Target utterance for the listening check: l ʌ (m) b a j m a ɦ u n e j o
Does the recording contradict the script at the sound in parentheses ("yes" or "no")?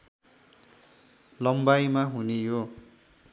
no